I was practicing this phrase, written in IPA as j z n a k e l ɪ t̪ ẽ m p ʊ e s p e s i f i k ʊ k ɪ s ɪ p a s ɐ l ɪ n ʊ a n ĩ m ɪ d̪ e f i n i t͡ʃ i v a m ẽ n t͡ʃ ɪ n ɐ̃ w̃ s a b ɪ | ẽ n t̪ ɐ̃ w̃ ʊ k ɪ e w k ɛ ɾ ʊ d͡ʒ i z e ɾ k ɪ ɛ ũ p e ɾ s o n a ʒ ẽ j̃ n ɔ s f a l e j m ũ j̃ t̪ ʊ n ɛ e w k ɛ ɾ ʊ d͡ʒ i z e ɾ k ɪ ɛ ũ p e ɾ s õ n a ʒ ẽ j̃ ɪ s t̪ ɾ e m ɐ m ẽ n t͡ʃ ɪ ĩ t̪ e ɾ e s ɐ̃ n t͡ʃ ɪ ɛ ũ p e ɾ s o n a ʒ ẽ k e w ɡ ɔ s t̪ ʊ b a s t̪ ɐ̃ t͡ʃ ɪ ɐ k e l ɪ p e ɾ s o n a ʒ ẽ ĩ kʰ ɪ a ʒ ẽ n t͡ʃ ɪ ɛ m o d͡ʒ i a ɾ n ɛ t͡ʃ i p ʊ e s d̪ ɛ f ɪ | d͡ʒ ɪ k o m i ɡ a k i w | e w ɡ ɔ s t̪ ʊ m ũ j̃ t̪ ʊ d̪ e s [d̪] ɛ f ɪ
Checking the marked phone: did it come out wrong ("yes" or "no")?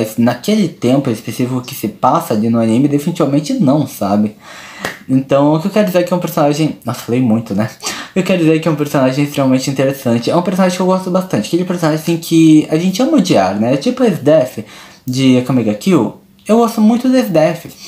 no